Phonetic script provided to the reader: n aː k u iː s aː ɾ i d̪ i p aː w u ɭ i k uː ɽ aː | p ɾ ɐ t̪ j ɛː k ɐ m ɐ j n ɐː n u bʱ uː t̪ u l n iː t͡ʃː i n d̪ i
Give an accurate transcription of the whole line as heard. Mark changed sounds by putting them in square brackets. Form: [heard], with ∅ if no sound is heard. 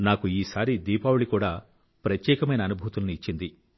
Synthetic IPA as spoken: n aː k u iː s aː ɾ i d̪ [iː] p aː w u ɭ i k uː ɽ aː | p ɾ ɐ t̪ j ɛː k ɐ m ɐ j n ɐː n u bʱ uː t̪ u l n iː t͡ʃː i n d̪ i